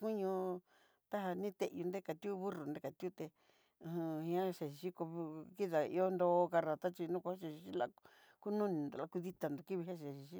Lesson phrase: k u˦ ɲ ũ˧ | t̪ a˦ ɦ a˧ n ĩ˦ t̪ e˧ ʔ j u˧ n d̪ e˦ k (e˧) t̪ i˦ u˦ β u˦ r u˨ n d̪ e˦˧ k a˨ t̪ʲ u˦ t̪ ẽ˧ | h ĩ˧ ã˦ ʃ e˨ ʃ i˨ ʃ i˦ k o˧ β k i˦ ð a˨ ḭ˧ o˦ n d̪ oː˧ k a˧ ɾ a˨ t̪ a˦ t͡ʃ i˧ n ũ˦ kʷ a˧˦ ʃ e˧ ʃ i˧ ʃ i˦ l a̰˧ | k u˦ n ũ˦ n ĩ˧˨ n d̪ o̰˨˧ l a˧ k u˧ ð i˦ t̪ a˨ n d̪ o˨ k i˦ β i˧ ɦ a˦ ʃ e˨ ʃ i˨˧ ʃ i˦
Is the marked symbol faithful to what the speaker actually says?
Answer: no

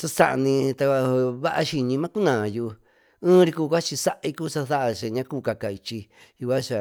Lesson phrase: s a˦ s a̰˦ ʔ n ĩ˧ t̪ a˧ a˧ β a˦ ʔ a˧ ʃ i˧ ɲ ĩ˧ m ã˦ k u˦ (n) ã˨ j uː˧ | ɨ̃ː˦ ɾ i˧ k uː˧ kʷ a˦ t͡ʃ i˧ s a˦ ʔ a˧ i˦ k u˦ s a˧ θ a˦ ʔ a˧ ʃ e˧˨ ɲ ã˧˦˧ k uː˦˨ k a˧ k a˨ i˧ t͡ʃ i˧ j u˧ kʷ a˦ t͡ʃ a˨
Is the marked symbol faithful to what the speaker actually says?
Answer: yes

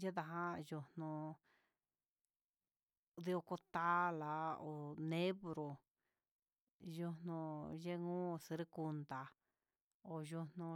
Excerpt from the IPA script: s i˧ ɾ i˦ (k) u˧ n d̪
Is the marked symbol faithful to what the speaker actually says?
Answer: yes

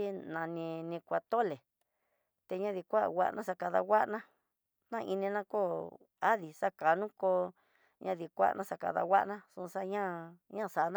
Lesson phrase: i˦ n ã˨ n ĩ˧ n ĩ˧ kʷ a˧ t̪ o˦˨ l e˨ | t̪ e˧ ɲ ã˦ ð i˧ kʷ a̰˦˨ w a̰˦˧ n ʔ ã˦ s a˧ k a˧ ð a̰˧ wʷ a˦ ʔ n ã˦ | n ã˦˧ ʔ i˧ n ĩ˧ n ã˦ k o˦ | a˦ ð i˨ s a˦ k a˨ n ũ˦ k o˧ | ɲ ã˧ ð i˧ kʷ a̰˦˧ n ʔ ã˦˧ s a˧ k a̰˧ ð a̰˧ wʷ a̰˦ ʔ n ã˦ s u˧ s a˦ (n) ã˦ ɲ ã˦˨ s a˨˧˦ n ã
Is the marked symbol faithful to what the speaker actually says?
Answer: no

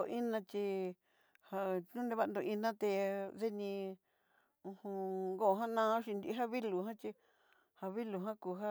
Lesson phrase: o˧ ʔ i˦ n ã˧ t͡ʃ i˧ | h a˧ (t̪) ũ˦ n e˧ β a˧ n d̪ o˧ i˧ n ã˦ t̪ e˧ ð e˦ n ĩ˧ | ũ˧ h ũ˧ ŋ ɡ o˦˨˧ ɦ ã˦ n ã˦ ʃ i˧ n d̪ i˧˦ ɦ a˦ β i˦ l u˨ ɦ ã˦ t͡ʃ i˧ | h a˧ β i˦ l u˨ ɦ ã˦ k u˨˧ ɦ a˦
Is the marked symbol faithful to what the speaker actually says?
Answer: no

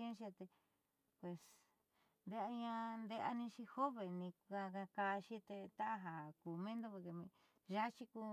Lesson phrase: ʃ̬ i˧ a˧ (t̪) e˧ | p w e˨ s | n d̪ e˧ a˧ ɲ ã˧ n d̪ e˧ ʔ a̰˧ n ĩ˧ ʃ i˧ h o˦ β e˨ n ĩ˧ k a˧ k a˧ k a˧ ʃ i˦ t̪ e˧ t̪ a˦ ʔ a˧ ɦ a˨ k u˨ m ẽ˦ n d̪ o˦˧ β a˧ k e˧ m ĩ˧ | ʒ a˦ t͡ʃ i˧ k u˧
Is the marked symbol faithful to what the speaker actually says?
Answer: yes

